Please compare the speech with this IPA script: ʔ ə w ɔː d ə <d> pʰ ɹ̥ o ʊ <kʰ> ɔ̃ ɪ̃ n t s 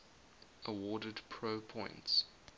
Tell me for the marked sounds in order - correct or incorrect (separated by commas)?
correct, incorrect